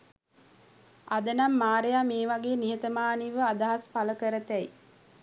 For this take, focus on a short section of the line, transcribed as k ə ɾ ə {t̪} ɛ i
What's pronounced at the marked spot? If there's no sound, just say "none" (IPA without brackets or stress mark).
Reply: t̪